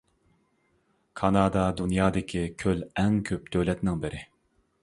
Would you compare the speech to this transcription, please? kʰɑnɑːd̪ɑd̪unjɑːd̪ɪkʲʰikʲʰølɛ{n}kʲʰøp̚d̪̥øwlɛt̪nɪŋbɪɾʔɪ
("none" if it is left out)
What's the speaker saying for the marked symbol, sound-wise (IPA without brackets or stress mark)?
ŋ